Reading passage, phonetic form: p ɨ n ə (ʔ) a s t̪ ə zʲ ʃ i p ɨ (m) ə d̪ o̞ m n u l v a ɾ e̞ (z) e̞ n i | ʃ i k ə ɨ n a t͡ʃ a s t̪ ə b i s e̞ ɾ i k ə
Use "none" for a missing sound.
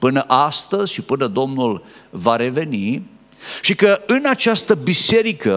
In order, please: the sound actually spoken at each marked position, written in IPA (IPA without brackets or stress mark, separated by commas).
ʔ, n, v